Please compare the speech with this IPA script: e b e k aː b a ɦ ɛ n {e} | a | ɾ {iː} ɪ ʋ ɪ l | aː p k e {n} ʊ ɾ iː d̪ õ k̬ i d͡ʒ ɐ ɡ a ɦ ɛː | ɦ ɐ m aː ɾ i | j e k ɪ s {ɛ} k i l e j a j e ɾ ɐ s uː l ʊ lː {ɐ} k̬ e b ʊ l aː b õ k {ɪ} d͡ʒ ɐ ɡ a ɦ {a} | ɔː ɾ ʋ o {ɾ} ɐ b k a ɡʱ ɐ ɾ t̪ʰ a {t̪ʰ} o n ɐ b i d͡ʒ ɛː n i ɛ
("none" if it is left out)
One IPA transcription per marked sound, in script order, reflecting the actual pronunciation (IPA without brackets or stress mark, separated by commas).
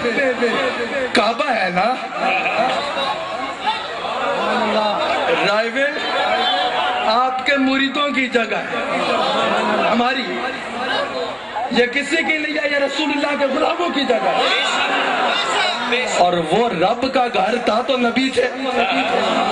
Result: a, aː, m, i, a, i, ɛ, ɾ, t̪